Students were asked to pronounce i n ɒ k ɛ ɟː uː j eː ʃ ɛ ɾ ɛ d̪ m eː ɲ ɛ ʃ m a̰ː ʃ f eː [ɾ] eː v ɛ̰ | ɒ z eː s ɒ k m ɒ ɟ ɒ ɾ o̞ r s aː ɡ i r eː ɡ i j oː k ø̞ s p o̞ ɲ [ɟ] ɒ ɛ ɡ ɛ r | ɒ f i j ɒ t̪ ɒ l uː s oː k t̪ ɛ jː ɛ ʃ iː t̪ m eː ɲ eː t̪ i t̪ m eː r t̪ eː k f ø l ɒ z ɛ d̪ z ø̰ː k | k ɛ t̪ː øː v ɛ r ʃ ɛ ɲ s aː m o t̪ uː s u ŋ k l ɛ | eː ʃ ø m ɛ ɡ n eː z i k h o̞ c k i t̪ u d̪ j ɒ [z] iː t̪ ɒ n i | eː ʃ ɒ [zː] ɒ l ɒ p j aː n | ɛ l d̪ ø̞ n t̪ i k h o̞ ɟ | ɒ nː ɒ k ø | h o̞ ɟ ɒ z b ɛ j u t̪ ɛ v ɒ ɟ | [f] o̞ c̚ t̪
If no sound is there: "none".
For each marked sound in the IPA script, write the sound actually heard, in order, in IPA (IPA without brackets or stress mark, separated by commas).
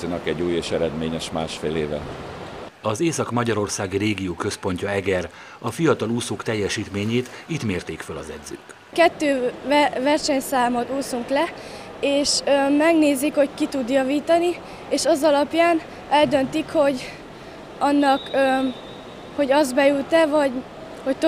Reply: l, c, v, z, h